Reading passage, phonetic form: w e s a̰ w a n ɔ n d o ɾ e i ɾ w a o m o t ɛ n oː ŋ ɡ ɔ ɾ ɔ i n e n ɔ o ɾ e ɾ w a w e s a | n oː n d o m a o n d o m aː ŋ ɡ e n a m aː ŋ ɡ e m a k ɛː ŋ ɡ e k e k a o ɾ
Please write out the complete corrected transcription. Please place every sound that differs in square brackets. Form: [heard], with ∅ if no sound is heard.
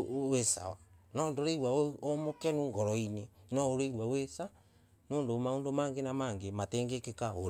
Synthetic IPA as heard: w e s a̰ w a n ɔ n d o ɾ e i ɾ w a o m o [k] ɛ n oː ŋ ɡ ɔ ɾ ɔ i n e n ɔ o ɾ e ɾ w a w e s a | n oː n d o m a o n d o m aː ŋ ɡ e n a m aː ŋ ɡ e m a [t] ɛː ŋ ɡ e k e k a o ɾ